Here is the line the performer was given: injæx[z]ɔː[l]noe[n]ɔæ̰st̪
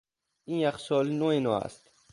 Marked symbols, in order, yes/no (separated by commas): no, yes, yes